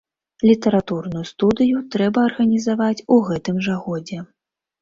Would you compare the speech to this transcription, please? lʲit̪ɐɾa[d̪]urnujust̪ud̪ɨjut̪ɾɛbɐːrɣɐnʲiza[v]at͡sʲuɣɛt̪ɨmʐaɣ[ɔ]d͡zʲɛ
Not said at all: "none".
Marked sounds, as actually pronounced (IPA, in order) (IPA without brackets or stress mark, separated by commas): t̪, v, ɔ